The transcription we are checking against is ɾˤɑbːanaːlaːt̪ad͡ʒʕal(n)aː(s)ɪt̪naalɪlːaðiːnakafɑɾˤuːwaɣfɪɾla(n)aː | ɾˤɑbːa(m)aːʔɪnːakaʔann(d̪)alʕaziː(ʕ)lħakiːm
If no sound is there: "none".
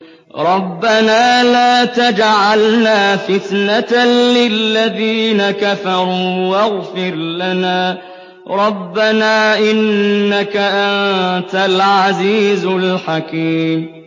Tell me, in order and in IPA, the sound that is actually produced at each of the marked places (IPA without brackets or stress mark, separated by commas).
n, f, n, n, t̪, z